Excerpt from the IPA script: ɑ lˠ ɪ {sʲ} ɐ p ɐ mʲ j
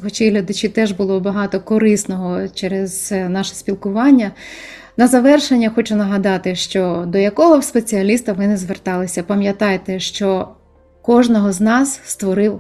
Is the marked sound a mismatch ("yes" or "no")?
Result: no